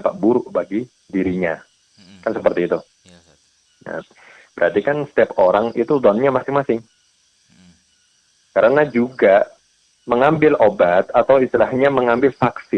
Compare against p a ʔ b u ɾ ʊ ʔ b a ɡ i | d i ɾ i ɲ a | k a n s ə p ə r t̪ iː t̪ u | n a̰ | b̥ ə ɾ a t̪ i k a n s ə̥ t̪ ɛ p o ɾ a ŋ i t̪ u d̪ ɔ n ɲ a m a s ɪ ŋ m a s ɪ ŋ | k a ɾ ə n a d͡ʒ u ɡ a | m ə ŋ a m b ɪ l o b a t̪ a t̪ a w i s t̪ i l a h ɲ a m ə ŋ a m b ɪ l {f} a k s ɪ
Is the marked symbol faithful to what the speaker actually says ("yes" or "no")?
yes